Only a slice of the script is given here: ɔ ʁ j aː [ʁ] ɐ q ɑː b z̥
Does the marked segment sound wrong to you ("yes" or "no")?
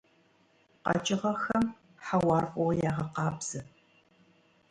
no